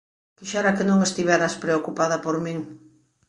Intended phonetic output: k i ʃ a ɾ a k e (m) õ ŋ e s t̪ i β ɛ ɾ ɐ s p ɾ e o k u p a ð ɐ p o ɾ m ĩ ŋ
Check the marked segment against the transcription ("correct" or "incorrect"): incorrect